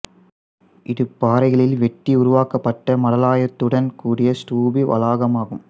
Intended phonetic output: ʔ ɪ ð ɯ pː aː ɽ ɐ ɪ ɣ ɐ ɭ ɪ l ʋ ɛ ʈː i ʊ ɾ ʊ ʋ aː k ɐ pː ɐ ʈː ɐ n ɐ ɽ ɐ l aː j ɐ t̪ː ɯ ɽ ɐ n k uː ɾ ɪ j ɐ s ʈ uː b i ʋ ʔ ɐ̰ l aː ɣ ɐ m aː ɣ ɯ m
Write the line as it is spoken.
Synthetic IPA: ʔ ɪ ð ɯ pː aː ɾ ɐ ɪ ɣ ɐ ɭ ɪ l ʋ ɛ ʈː i ʊ ɾ ʊ ʋ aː k ɐ pː ɐ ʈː ɐ m ɐ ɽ ɐ l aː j ɐ t̪ː ɯ ɽ ɐ n k uː ɽ ɪ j ɐ s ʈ uː b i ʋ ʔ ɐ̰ l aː ɣ ɐ m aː ɣ ɯ m